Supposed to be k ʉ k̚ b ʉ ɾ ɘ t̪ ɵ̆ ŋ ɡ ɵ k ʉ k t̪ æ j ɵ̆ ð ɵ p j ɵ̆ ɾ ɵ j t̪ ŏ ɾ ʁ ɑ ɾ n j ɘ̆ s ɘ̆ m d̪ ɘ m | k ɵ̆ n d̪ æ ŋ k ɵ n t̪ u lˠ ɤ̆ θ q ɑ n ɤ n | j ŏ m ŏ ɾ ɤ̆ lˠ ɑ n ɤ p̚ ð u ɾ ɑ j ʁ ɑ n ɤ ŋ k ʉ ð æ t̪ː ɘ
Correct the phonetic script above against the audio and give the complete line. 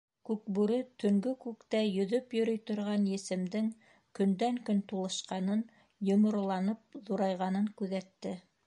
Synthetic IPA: k ʉ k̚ b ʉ ɾ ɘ t̪ ɵ̆ ŋ ɡ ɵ k ʉ k t̪ æ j ɵ̆ ð ɵ p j ɵ̆ ɾ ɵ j t̪ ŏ ɾ ʁ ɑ n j ɘ̆ s ɘ̆ m d̪ ɘ ŋ | k ɵ̆ n d̪ æ ŋ k ɵ n t̪ u lˠ ɤ̆ ʃ q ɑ n ɤ n | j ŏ m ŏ ɾ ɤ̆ lˠ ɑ n ɤ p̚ ð u ɾ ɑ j ʁ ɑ n ɤ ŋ k ʉ ð æ t̪ː ɘ